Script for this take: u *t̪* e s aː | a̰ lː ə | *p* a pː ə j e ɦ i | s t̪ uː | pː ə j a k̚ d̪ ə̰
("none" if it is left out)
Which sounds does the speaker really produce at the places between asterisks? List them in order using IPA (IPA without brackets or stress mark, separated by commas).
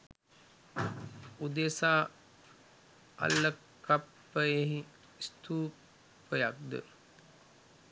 d̪, k